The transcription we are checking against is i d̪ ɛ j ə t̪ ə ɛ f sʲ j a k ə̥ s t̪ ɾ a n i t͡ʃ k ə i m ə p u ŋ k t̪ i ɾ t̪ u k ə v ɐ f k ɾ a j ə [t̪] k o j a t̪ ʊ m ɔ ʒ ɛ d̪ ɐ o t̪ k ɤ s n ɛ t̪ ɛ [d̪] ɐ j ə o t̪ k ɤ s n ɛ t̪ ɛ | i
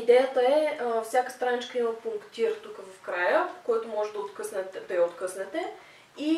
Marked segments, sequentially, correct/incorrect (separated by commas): incorrect, correct